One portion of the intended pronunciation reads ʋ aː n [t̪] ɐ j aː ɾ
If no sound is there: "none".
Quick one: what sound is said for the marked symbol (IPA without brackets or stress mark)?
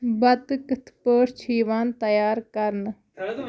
t̪